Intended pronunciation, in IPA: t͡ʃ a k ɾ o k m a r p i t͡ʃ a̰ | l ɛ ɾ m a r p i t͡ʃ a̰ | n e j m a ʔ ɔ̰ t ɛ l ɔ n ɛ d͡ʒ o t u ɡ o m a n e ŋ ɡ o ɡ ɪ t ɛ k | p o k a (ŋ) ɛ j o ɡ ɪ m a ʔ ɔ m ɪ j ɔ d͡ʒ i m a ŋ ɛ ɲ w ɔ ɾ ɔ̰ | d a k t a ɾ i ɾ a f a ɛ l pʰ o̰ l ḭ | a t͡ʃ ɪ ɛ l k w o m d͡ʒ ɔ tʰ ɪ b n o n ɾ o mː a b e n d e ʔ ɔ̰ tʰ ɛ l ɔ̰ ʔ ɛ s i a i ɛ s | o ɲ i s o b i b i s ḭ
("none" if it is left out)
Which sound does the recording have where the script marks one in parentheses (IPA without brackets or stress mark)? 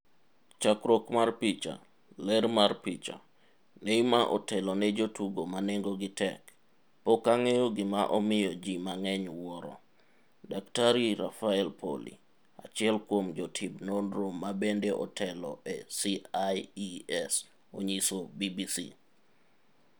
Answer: ŋ